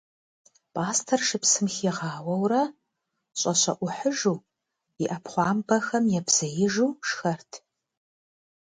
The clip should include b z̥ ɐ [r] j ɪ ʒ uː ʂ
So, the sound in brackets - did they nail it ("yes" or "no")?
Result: no